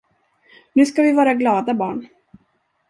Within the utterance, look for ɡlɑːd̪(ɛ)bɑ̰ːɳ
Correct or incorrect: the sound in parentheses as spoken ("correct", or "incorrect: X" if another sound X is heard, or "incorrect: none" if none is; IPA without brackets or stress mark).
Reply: incorrect: a